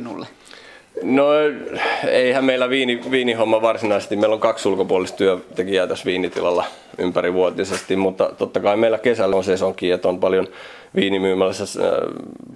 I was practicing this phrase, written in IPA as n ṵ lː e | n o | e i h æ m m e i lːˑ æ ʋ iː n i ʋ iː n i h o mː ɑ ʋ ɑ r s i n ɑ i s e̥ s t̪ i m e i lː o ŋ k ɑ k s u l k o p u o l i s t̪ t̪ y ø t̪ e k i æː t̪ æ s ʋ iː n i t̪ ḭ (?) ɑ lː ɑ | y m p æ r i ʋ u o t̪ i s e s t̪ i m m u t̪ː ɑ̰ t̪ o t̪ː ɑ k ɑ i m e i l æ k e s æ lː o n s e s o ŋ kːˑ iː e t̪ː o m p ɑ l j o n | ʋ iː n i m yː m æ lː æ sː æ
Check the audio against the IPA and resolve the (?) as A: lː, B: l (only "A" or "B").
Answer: B